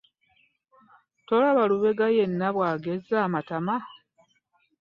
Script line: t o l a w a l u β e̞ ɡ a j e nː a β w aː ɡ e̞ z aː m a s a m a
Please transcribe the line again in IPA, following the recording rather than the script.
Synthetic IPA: t o l a β a l u β e̞ ɡ a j e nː a β w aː ɡ e̞ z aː m a t a m a